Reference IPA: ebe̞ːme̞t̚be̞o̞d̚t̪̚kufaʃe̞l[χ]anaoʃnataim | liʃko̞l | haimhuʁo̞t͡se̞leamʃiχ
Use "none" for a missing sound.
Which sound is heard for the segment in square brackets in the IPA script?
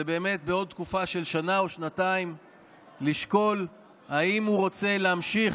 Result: ʃ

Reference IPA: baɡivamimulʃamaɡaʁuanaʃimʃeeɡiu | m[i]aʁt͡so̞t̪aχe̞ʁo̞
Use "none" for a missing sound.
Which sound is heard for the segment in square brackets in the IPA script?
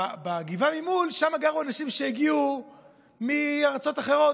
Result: i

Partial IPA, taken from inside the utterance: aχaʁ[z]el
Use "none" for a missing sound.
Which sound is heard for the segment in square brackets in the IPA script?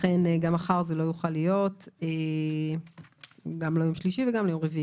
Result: z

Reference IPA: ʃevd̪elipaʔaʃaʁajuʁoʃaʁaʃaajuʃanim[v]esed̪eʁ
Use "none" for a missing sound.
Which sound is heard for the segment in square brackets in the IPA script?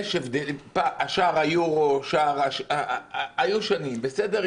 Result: b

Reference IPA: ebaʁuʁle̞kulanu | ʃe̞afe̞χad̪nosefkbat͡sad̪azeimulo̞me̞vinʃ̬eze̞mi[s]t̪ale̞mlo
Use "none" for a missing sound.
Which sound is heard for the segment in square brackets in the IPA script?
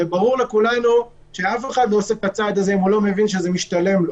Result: ʃ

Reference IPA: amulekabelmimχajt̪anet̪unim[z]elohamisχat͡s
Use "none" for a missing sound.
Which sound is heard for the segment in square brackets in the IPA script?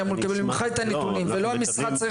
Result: v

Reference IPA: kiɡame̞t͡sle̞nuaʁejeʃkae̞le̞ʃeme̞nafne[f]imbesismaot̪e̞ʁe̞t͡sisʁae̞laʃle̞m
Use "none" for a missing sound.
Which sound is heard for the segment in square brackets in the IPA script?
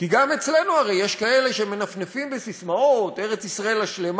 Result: f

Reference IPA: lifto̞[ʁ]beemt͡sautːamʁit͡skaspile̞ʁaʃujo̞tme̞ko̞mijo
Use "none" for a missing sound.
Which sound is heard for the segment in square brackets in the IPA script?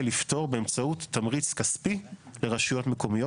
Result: ʁ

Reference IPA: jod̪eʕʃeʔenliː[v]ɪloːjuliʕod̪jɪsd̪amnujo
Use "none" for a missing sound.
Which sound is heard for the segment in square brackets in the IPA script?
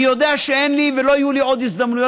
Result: v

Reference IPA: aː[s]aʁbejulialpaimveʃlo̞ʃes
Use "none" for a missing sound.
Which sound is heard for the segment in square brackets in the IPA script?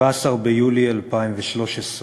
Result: s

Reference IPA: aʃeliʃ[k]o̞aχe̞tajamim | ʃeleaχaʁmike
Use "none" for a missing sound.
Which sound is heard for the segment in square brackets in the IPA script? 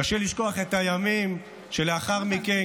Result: k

